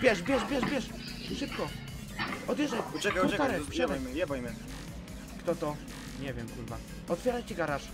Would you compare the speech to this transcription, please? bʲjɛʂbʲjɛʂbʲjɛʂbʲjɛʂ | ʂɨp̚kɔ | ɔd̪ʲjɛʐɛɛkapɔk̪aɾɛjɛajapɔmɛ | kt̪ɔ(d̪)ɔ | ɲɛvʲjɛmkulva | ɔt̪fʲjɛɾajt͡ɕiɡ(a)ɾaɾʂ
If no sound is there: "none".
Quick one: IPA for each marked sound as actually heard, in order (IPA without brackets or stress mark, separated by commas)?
t̪, a